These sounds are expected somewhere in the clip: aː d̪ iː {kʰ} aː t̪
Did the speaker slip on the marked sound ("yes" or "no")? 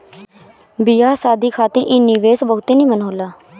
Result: no